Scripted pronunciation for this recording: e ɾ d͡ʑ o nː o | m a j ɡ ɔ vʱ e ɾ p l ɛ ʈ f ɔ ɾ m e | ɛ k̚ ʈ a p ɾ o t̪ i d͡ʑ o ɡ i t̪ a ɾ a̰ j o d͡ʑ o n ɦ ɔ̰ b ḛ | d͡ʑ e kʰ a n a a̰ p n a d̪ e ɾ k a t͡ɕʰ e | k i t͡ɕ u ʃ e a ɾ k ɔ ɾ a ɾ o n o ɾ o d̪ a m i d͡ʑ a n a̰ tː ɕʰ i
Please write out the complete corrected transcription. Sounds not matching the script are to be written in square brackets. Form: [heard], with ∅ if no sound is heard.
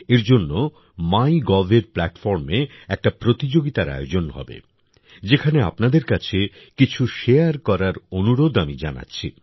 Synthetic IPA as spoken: e ɾ d͡ʑ o nː o | m a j ɡ ɔ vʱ e ɾ p l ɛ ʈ f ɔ ɾ m e | ɛ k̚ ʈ a p ɾ o t̪ i d͡ʑ o ɡ i t̪ a ɾ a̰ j o d͡ʑ o n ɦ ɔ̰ b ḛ | d͡ʑ e kʰ a n [e] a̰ p n a d̪ e ɾ k a t͡ɕʰ e | k i [t͡ɕʰ] u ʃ e a ɾ k ɔ ɾ a ɾ o n [u] ɾ o d̪ a m i d͡ʑ a n a̰ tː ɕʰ i

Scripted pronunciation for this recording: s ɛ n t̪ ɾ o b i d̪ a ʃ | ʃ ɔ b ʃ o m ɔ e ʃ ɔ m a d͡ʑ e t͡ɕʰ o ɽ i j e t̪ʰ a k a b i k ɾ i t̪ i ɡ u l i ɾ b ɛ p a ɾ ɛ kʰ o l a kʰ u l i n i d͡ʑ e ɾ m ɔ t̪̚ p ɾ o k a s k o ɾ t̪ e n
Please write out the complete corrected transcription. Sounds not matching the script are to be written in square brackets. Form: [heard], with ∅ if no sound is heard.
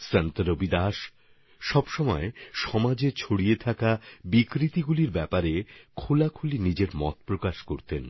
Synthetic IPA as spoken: s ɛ n t̪ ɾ o b i d̪ a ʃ | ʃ ɔ b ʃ [ɔ] m ɔ e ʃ ɔ m a d͡ʑ e t͡ɕʰ o ɽ i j e t̪ʰ a k a b i k ɾ i t̪ i ɡ u l i ɾ b ɛ p a ɾ [e] kʰ o l a kʰ u l i n i d͡ʑ e ɾ m ɔ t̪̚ p ɾ o k a [ʃ] k o ɾ t̪ e n

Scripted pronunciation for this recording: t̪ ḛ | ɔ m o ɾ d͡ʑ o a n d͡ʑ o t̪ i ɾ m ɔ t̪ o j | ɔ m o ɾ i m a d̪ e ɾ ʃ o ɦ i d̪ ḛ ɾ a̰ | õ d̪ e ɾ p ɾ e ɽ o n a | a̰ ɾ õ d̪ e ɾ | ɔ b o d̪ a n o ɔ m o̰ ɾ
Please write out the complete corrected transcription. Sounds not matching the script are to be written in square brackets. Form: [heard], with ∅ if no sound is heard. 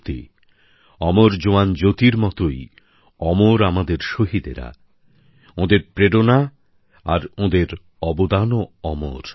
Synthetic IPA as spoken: t̪ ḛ | ɔ m o ɾ d͡ʑ o a n d͡ʑ o t̪ i ɾ m ɔ t̪ o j | ɔ m o ɾ [a] m a d̪ e ɾ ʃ o ɦ i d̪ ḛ ɾ a̰ | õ d̪ e ɾ p ɾ e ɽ o n a | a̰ ɾ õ d̪ e ɾ | ɔ b o d̪ a n o ɔ m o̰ ɾ

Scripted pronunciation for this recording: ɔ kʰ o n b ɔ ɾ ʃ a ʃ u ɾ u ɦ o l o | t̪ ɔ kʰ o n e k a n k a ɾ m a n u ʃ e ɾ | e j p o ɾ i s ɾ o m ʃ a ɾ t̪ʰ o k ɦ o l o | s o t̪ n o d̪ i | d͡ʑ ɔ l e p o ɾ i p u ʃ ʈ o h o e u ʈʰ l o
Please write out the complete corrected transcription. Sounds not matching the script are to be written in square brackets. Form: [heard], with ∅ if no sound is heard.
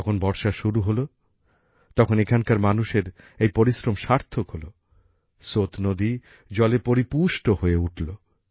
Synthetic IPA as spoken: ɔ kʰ o n b ɔ ɾ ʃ a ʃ u ɾ u ɦ o l o | t̪ ɔ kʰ o n e [kʰ] a n k a ɾ m a n u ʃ e ɾ | e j p o ɾ i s ɾ o m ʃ a ɾ t̪ʰ o k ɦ o l o | s o t̪ n o d̪ i | d͡ʑ ɔ l e p o ɾ i p u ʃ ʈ o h o e u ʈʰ l o

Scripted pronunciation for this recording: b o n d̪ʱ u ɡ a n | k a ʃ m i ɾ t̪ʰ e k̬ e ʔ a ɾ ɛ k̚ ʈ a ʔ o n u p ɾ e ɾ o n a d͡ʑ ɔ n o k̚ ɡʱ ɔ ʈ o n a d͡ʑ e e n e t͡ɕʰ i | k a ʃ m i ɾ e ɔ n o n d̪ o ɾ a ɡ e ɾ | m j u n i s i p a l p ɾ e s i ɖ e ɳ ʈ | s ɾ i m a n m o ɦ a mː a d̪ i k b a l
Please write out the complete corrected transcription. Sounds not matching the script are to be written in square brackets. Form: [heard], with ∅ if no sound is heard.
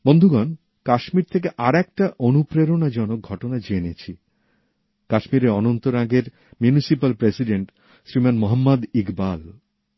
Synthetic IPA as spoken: b o n d̪ʱ u ɡ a n | k a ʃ m i ɾ t̪ʰ e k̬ e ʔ a ɾ ɛ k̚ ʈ a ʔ o n u p ɾ e ɾ o n a d͡ʑ ɔ n o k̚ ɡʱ ɔ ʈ o n a d͡ʑ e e n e t͡ɕʰ i | k a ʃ m i ɾ e ɔ n o n [t̪] o ɾ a ɡ e ɾ | m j u n i s i p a l p ɾ e s i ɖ e ɳ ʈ | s ɾ i m a n m o ɦ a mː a d̪ i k b a l

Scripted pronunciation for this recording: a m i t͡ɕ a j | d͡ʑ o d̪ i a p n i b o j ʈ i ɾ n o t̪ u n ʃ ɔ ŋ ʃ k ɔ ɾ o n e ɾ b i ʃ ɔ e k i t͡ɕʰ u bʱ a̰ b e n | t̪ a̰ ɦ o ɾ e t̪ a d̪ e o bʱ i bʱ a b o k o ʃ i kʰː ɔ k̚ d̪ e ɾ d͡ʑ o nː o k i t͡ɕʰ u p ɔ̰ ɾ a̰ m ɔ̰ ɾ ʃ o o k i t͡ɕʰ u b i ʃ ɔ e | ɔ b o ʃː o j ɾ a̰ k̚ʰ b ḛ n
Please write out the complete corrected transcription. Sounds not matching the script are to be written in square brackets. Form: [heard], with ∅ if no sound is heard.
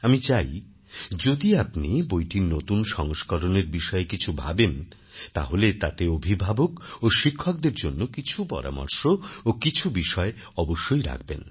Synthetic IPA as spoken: a m i t͡ɕ a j | d͡ʑ o d̪ i a p n i b o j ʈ i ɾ n o t̪ u n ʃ ɔ ŋ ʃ k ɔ ɾ o n e ɾ b i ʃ ɔ e k i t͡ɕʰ u bʱ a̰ b e n | t̪ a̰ ɦ o [l] e t̪ a [t̪] e o bʱ i bʱ a b o k o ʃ i kʰː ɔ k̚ d̪ e ɾ d͡ʑ o nː o k i t͡ɕʰ u p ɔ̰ ɾ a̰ m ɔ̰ ɾ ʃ o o k i t͡ɕʰ u b i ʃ ɔ e | ɔ b o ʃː o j ɾ a̰ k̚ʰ b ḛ n

